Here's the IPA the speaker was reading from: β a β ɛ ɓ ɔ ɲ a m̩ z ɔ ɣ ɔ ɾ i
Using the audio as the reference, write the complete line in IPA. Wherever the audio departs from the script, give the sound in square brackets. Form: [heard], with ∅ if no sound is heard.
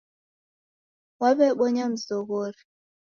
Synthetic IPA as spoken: [w] a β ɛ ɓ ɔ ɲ a m̩ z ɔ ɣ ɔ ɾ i